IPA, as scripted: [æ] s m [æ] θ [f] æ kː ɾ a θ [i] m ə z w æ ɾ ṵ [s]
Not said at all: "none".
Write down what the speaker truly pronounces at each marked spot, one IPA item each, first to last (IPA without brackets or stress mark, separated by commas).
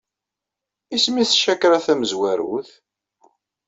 i, i, ʃ, æ, θ